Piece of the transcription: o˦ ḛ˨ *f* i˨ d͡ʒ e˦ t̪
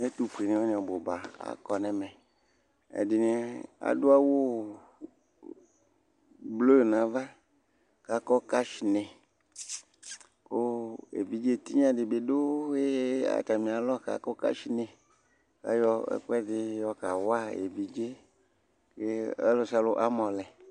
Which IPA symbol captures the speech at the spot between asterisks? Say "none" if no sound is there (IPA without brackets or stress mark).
v